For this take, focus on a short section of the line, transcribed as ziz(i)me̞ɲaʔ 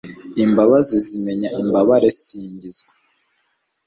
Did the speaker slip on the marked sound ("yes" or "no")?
no